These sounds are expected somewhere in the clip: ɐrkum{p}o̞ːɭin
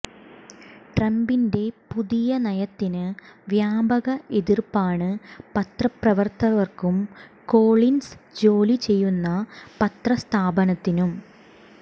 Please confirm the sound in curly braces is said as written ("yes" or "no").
no